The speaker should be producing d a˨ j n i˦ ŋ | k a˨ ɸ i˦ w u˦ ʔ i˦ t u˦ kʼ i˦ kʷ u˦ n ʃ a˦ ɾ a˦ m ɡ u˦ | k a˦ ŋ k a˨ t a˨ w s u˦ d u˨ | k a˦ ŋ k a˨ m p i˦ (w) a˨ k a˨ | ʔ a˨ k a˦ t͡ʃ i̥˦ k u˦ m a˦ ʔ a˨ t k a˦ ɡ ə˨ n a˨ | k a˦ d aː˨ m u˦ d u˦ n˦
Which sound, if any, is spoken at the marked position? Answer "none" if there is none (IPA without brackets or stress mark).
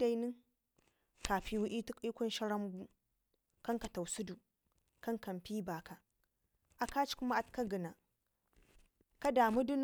b